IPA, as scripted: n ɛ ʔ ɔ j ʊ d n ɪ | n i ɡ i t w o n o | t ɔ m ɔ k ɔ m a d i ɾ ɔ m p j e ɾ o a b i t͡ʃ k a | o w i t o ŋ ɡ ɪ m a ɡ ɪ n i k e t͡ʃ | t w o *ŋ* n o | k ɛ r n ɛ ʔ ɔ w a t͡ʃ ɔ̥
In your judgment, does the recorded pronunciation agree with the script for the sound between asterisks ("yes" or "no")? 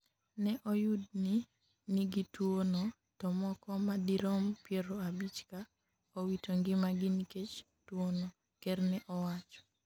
no